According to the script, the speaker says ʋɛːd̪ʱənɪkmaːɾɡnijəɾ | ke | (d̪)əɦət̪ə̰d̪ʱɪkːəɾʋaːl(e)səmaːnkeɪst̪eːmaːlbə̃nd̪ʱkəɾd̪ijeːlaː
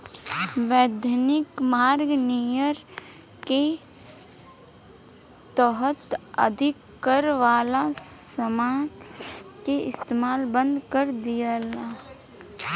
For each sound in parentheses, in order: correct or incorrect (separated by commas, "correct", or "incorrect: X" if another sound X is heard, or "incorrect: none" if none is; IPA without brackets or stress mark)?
incorrect: t̪, incorrect: a